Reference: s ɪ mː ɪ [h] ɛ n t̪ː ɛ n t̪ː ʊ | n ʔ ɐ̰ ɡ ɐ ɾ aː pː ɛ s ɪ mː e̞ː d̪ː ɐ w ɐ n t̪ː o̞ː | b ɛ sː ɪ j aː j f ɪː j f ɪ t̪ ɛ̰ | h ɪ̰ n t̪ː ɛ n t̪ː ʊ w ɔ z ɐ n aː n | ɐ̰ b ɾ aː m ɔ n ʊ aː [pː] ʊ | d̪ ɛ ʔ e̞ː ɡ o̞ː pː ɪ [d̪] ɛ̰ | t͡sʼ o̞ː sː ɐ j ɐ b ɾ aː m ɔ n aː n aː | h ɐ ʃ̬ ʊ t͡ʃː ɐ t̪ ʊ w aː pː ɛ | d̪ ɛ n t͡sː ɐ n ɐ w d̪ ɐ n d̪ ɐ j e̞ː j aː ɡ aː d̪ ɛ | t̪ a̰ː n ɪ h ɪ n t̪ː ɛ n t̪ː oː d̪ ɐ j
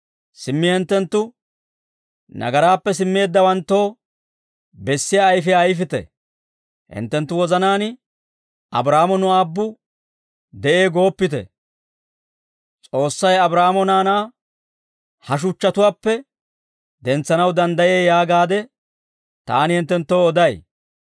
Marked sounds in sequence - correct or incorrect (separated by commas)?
correct, incorrect, incorrect